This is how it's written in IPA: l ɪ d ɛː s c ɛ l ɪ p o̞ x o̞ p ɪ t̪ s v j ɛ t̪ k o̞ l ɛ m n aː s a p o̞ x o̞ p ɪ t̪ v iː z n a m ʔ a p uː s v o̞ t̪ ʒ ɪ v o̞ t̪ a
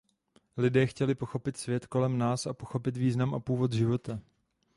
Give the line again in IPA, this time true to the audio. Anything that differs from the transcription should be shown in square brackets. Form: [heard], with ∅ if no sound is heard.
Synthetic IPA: l ɪ d ɛː [x] c ɛ l ɪ p o̞ x o̞ p ɪ t̪ s v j ɛ t̪ k o̞ l ɛ m n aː s a p o̞ x o̞ p ɪ t̪ v iː z n a m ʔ a p uː [∅] v o̞ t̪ ʒ ɪ v o̞ t̪ a